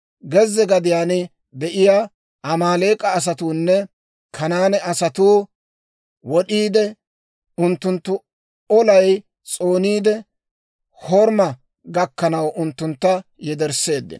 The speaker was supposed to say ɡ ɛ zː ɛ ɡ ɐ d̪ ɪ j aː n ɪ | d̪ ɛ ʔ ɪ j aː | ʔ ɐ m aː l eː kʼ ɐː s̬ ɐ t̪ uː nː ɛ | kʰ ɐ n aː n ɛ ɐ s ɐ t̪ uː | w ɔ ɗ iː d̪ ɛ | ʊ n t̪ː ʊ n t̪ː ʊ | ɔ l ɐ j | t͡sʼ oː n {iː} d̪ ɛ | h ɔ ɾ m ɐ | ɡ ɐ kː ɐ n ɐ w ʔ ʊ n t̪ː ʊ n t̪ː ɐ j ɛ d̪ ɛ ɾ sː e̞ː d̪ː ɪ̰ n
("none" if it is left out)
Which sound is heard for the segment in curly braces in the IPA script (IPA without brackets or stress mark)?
iː